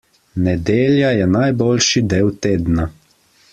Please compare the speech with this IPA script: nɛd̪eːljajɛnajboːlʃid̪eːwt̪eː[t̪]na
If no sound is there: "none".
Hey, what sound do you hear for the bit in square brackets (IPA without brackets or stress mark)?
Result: d̪